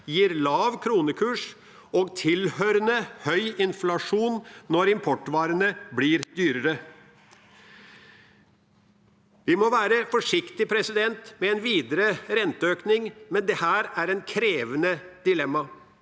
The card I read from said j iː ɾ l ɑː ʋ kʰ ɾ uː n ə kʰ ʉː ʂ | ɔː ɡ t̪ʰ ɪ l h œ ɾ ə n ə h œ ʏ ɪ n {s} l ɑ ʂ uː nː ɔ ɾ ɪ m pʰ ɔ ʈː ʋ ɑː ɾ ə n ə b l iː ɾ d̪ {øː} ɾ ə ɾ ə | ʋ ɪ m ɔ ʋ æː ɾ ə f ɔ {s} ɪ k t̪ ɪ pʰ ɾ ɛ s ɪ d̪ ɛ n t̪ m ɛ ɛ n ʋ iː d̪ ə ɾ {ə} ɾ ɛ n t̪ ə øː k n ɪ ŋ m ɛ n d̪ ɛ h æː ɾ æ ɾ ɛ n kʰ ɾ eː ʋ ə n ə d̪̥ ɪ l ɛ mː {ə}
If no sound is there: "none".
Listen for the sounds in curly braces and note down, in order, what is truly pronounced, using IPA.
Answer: f, yː, ʂ, ə, ɑ

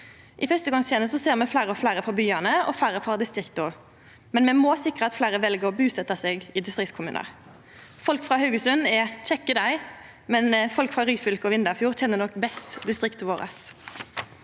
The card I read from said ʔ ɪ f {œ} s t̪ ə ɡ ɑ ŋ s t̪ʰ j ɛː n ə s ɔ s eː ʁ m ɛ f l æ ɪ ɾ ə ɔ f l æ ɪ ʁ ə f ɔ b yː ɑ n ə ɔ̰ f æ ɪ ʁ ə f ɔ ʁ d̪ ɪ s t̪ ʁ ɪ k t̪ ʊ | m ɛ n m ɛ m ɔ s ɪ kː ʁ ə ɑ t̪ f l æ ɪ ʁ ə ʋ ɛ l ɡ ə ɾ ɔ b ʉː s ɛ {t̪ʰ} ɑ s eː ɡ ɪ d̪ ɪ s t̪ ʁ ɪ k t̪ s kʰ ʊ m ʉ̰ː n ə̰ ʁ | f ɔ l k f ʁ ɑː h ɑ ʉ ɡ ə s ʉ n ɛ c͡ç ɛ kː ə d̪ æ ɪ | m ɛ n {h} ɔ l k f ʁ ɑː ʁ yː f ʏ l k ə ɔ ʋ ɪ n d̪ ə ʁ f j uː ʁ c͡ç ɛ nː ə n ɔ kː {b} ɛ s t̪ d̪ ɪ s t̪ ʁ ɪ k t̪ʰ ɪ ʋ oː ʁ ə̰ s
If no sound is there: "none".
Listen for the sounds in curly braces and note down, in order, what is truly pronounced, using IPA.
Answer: œ, t̪, f, b

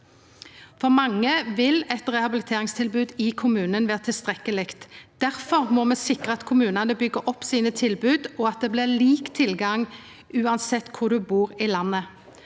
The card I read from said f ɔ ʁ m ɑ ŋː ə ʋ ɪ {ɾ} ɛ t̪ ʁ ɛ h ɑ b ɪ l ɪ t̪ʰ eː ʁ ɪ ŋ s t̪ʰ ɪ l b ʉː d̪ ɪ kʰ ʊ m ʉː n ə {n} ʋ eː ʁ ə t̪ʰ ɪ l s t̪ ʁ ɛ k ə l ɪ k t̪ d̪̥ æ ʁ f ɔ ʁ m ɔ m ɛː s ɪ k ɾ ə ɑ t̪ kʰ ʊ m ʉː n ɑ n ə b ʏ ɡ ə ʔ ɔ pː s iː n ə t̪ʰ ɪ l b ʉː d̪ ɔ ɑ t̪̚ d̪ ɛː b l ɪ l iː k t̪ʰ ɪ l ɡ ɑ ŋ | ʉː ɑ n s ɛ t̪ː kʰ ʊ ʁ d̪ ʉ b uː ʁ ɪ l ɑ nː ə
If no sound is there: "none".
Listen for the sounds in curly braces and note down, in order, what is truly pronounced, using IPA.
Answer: l, n

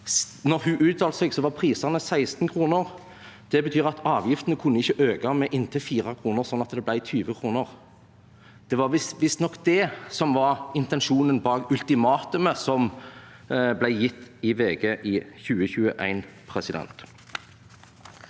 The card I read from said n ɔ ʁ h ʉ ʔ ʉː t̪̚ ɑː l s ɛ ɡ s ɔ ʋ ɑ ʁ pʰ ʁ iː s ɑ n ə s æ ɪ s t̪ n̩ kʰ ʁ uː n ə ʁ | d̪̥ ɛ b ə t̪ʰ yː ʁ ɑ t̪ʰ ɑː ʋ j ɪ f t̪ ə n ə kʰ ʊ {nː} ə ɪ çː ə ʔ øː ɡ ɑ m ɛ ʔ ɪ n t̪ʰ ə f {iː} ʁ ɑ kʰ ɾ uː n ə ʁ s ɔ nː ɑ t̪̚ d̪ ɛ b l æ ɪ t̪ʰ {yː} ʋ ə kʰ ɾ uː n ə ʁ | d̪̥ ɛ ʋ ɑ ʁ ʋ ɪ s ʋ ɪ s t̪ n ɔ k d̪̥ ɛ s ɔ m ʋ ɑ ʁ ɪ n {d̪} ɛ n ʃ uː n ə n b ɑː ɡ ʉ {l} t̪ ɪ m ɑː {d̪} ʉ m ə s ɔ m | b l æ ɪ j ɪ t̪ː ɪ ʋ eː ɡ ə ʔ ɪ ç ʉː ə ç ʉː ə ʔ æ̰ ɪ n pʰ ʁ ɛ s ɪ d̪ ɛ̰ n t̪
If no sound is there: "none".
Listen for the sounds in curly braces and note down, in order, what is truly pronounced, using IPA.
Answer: nː, iː, yː, t̪, l, t̪

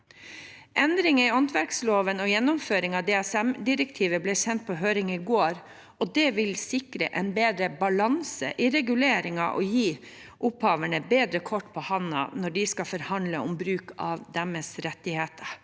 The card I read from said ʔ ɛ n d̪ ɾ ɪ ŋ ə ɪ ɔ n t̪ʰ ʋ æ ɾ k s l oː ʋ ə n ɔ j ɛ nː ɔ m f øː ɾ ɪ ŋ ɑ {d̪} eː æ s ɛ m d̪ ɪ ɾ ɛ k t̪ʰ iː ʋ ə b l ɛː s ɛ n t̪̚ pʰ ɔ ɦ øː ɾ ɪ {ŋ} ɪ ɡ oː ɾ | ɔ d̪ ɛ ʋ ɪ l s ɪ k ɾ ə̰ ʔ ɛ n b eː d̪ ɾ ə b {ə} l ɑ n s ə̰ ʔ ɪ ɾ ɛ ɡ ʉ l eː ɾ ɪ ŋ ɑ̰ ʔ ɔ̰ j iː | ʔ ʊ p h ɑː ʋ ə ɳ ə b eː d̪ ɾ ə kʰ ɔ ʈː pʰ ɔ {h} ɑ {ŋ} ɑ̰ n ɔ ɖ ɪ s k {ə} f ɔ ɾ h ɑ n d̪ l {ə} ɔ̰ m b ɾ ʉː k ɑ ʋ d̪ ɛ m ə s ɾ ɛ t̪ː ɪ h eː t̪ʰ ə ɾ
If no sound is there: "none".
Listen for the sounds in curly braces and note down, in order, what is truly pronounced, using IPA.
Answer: d̪, ŋ, ɑ, h, n, ɑ, ə

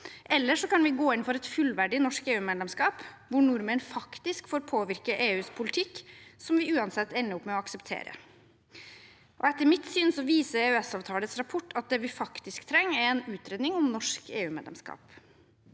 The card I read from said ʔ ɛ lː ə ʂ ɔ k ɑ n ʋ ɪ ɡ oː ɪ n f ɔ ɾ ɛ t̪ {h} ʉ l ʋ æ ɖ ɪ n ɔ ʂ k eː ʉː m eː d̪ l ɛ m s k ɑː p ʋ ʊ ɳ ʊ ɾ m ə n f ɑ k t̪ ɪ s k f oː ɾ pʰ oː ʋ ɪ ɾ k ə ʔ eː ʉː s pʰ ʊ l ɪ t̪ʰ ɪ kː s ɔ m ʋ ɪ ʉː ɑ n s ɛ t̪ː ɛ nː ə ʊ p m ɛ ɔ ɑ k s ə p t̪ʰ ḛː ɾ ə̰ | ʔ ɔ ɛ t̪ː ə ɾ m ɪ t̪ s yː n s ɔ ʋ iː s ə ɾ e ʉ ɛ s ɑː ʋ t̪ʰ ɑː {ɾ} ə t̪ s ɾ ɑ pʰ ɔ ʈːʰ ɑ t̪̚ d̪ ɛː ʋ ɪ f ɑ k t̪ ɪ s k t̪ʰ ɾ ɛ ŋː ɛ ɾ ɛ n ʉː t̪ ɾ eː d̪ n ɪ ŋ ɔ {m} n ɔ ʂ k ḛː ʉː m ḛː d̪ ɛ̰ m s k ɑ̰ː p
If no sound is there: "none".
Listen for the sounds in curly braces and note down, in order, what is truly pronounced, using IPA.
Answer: f, l, m

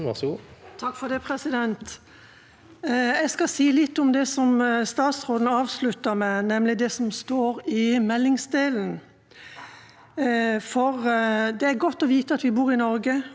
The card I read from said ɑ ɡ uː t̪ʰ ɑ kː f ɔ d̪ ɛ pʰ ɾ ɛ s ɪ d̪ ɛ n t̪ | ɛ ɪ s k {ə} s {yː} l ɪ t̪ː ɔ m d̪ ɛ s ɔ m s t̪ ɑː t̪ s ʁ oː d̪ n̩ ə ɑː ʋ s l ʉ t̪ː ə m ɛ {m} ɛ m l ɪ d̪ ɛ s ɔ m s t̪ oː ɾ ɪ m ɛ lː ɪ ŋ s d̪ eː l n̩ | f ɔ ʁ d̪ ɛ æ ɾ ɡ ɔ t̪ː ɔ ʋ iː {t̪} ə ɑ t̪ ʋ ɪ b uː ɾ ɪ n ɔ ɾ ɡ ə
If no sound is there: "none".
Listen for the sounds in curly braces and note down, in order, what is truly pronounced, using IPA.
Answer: ɑ, iː, n, t̪

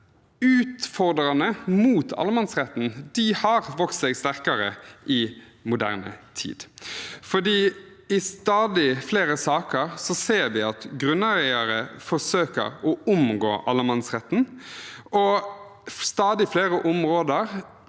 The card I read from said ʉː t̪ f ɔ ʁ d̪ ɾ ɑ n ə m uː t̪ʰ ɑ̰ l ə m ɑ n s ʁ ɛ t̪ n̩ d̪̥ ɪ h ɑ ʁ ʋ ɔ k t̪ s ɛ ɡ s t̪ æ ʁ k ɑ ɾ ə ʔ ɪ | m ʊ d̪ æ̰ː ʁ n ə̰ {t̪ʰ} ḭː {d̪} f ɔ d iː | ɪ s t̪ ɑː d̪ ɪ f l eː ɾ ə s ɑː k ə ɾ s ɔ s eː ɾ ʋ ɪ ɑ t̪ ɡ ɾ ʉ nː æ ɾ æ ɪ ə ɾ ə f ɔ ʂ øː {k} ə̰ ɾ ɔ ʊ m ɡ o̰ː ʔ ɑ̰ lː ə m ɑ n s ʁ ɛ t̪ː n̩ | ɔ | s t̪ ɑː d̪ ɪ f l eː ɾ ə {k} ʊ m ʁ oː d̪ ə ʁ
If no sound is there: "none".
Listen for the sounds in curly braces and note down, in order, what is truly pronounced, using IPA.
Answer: t̪ʰ, d̪, k, ʔ

